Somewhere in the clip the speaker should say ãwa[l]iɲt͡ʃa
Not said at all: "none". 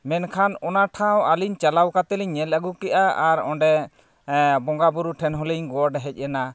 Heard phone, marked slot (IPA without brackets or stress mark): l